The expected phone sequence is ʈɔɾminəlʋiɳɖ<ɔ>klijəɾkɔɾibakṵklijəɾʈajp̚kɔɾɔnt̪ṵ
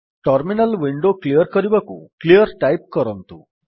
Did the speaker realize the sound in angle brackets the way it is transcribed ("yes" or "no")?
no